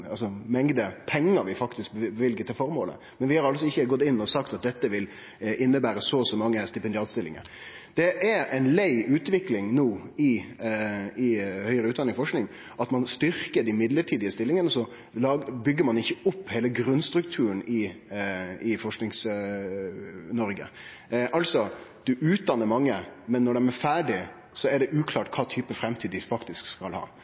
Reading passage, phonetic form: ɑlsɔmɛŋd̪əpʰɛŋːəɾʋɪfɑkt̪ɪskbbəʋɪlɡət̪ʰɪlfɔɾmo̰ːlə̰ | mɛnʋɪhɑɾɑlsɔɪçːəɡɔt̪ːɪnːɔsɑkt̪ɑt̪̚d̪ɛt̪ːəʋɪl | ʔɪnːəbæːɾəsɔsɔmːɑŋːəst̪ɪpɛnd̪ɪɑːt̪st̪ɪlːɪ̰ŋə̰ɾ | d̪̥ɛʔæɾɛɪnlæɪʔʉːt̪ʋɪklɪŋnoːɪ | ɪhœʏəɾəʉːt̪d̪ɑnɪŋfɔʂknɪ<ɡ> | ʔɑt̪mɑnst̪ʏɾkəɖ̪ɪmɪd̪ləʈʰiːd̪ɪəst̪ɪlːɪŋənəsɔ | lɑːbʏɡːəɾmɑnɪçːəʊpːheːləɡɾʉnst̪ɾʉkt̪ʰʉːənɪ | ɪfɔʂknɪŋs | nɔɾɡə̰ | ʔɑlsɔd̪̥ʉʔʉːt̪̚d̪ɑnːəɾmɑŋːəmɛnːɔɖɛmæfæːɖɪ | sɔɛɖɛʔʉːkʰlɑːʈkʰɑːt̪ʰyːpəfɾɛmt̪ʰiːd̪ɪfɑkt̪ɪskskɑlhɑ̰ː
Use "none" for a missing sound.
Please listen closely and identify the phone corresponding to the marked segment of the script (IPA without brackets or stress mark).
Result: ŋ